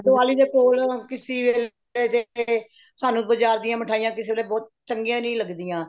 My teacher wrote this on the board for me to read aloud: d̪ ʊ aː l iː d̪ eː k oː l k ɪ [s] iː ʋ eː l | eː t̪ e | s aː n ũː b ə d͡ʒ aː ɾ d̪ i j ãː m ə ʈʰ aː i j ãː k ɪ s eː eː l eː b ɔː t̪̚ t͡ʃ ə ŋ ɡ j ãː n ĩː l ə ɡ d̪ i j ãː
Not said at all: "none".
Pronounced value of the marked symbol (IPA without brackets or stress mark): s